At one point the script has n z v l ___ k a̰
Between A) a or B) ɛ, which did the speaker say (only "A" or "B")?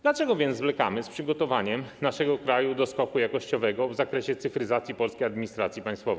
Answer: B